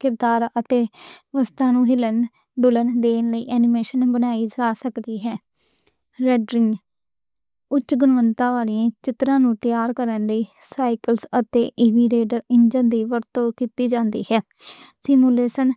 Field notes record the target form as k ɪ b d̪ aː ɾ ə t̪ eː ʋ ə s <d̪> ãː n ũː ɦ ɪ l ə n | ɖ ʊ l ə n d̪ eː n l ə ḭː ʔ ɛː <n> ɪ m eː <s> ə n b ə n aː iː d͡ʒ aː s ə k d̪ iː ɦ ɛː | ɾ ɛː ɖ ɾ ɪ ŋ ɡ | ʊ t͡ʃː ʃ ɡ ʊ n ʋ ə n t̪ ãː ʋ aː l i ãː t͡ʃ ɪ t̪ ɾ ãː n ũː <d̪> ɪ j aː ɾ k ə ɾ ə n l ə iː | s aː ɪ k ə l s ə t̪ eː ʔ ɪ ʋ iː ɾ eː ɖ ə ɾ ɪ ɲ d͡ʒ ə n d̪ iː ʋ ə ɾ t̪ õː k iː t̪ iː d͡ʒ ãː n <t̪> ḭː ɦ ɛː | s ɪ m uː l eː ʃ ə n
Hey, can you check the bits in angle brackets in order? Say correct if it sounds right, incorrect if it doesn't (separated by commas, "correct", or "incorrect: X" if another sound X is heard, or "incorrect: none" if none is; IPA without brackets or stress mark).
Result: incorrect: t̪, correct, incorrect: ʃ, incorrect: t̪, incorrect: d̪